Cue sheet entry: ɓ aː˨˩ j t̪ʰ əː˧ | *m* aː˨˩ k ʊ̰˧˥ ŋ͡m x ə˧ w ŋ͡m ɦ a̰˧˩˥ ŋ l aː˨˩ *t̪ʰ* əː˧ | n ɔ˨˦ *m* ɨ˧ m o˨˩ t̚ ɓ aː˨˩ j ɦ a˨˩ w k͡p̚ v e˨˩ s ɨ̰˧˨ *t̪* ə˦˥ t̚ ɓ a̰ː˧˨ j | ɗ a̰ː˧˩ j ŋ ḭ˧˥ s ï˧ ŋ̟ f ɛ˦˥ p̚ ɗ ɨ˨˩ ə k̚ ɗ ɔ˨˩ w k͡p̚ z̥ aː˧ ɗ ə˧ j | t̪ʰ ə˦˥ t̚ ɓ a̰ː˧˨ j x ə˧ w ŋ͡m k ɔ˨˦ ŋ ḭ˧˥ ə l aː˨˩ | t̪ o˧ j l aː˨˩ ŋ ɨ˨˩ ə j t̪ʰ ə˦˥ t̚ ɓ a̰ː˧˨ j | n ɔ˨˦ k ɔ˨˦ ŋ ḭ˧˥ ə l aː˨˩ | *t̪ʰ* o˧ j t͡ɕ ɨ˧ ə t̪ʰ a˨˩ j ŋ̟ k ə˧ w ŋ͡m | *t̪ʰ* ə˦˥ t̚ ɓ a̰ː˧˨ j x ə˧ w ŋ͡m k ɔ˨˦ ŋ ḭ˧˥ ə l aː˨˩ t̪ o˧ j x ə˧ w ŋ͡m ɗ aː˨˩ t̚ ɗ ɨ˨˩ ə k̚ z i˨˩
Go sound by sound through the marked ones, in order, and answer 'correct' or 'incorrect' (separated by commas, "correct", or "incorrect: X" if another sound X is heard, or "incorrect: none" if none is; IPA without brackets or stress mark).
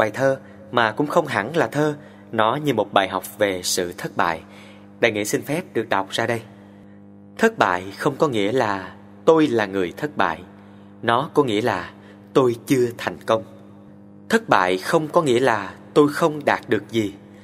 correct, correct, incorrect: ɲ, incorrect: t̪ʰ, incorrect: t̪, correct